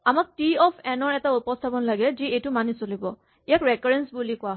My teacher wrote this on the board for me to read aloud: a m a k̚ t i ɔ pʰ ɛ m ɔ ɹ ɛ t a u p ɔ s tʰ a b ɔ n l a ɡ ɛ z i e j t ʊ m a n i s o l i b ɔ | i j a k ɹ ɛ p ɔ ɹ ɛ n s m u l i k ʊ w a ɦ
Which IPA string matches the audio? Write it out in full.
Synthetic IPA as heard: a m a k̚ t i ɔ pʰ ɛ n ɔ ɹ ɛ t a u p ɔ s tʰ a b ɔ n l a ɡ ɛ z i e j t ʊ m a n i s o l i b ɔ | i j a k ɹ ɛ k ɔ ɹ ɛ n s b u l i k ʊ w a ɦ